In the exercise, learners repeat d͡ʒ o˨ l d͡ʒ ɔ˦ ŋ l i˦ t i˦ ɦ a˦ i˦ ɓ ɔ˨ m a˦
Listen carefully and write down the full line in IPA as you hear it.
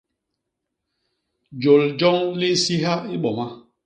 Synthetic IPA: d͡ʒ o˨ l d͡ʒ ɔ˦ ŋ l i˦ s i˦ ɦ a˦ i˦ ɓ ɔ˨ m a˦